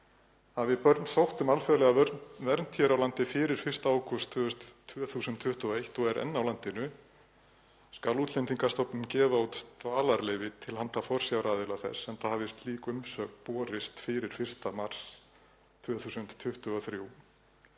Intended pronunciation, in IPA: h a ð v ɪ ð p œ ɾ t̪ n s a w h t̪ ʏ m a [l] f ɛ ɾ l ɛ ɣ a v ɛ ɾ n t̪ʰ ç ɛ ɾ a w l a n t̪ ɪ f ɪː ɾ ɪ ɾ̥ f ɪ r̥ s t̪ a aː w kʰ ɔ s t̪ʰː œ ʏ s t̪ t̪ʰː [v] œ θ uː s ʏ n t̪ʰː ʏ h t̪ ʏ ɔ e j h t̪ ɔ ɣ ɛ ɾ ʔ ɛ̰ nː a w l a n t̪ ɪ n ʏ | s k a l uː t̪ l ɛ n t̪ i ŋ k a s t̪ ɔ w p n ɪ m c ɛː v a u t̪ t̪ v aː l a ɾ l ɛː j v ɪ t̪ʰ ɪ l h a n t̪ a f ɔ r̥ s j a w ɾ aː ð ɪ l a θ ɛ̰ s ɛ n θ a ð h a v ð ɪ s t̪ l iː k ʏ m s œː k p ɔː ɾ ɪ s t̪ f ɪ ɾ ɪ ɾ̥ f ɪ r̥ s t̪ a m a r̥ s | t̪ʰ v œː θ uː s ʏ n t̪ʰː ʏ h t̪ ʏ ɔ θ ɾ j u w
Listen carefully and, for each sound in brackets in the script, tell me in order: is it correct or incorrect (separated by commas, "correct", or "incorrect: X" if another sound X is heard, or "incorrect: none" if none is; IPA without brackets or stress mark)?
correct, correct